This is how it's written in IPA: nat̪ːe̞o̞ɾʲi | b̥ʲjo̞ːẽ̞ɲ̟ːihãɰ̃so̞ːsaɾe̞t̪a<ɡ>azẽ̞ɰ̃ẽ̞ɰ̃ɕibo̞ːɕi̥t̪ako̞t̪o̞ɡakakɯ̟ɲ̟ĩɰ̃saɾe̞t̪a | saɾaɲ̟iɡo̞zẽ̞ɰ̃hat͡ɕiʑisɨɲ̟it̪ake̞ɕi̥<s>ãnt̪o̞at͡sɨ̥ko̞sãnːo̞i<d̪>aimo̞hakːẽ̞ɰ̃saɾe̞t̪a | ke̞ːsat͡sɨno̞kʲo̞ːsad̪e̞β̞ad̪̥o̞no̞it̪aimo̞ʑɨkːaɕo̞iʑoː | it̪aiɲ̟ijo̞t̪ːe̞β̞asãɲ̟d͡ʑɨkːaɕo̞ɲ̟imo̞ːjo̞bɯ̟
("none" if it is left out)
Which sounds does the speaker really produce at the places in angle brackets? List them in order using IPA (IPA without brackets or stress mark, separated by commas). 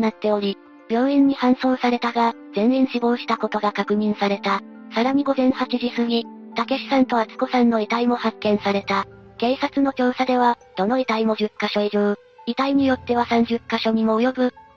ɡ, s, t̪